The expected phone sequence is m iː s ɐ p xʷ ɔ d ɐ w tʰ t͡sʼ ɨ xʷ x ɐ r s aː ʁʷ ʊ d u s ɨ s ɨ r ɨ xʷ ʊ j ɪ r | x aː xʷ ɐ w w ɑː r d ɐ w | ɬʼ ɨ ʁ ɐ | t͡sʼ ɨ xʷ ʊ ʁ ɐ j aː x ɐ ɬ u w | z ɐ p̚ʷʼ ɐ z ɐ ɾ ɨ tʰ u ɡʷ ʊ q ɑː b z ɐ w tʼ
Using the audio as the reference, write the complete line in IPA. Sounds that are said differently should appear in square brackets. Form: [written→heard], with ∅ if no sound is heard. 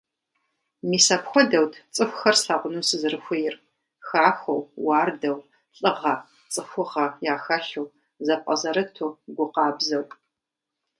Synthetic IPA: m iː s ɐ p xʷ ɔ d ɐ w tʰ t͡sʼ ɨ xʷ x ɐ r s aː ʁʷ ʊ [d→n] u s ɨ [s→z] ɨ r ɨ xʷ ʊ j ɪ r | x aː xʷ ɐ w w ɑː r d ɐ w | ɬʼ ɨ ʁ ɐ | t͡sʼ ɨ xʷ ʊ ʁ ɐ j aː x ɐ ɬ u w | z ɐ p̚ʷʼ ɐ z ɐ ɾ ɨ tʰ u ɡʷ ʊ q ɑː b z ɐ w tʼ